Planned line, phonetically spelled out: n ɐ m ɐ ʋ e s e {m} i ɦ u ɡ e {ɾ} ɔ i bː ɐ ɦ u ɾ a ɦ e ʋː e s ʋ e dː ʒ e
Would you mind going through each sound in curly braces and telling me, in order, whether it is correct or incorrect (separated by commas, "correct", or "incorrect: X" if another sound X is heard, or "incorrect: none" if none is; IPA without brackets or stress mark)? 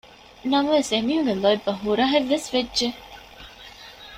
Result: correct, incorrect: l